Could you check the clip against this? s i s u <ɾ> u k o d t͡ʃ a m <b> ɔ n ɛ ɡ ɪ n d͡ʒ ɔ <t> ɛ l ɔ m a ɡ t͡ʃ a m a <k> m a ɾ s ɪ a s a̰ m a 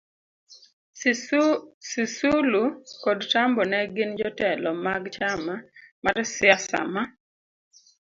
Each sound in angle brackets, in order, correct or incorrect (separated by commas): incorrect, correct, correct, incorrect